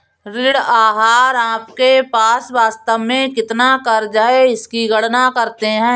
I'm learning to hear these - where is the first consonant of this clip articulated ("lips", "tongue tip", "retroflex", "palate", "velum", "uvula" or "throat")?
tongue tip